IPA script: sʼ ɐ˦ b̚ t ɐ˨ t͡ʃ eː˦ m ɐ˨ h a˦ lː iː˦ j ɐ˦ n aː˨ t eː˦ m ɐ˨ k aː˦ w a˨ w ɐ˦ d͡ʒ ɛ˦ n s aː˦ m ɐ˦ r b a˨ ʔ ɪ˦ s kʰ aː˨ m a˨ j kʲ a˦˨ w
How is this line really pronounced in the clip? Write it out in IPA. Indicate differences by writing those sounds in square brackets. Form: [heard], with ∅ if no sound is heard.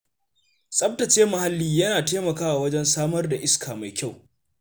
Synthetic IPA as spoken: sʼ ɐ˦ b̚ t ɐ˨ t͡ʃ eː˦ m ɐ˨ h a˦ lː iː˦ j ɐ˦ n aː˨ t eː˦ m ɐ˨ k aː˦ w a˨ w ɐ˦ d͡ʒ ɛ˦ n s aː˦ m ɐ˦ r [d] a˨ ʔ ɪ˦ s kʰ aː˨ m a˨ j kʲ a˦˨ w